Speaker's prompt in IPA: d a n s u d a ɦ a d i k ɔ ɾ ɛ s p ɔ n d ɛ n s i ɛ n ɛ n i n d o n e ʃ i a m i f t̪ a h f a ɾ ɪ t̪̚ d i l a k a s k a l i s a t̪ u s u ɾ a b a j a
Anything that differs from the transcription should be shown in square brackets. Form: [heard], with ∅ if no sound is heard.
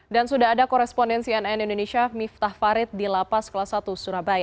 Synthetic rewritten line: d a n s u d a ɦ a d [a] k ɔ ɾ ɛ s p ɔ n d ɛ n s i ɛ n ɛ n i n d o n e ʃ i a m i f t̪ a h f a ɾ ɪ t̪̚ d i l a [p] a s k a l [a] s a t̪ u s u ɾ a b a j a